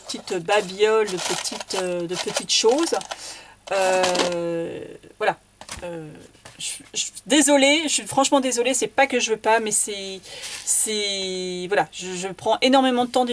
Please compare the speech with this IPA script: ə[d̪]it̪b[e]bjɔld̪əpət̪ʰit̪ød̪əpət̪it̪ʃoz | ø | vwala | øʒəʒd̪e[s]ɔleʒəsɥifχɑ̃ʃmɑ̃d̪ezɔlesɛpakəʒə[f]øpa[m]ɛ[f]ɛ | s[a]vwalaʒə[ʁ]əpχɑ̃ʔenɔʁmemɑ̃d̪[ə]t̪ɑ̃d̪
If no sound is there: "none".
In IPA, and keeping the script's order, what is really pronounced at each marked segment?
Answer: t̪, a, z, v, m, s, ɛ, ʒ, ə

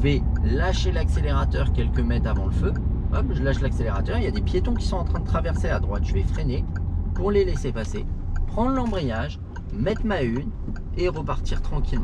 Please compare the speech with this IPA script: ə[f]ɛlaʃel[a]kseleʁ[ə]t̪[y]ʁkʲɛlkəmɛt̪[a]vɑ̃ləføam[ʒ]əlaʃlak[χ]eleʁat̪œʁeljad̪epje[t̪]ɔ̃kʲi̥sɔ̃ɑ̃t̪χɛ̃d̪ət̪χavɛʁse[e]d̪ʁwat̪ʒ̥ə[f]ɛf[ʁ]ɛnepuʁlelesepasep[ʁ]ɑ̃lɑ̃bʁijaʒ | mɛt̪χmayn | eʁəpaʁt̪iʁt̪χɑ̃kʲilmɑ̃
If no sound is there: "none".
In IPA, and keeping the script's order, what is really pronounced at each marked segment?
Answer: v, a, a, œ, a, ʒ, s, t̪, a, v, χ, χ

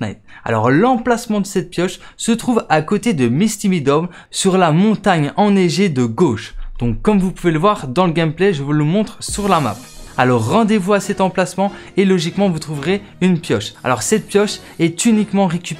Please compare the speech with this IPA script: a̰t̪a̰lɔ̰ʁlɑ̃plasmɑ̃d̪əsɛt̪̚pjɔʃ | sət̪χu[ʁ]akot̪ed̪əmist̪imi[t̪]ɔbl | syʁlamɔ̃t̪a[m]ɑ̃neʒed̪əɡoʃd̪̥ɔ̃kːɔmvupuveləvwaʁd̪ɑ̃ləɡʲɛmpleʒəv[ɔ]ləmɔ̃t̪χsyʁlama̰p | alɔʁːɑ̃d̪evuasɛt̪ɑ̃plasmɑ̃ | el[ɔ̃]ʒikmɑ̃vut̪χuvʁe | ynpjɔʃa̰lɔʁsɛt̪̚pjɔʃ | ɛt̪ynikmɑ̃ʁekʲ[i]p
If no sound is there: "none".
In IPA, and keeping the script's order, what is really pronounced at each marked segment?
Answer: v, d̪, ɲ, u, ɔ, y

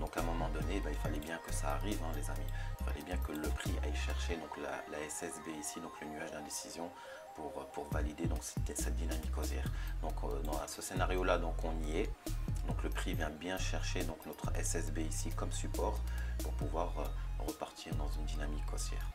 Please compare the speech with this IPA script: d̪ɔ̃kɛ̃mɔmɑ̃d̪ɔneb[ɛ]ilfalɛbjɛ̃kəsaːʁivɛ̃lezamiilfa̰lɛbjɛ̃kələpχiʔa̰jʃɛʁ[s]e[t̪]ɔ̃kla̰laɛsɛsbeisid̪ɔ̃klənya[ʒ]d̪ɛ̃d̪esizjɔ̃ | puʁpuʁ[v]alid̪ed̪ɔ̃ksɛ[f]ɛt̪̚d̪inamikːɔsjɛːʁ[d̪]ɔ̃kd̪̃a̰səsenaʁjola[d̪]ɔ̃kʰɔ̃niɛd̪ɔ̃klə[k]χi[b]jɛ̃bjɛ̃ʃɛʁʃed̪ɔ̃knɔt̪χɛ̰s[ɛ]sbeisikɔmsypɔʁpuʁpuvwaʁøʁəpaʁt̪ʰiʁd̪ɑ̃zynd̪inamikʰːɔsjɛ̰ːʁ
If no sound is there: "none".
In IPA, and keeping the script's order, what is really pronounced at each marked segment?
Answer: a, ʃ, d̪, ʒ, v, s, d̪, d̪, p, v, ɛ

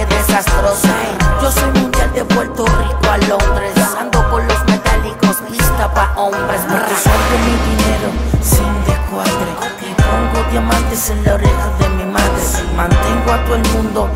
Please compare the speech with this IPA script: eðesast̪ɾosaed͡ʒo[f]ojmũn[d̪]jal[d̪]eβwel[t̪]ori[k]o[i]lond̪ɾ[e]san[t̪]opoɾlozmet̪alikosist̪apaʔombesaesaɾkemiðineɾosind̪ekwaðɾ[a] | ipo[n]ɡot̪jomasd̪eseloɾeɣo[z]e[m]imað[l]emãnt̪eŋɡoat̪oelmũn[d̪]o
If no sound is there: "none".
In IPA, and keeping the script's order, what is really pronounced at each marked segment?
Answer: s, d̪, d̪, t̪, k, a, e, d̪, e, ŋ, ð, m, ɾ, d̪

